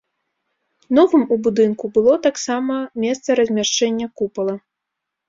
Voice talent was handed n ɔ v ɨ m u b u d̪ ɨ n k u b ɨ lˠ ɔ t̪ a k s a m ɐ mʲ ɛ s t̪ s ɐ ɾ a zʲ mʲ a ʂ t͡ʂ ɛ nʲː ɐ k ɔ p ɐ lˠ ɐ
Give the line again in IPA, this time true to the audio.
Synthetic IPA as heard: n ɔ v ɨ m u b u d̪ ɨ n k u b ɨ lˠ ɔ t̪ a k s a m ɐ mʲ ɛ s t̪ s ɐ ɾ ɐ zʲ mʲ a ʂ t͡ʂ ɛ nʲː ɐ k u p ɐ lˠ ɐ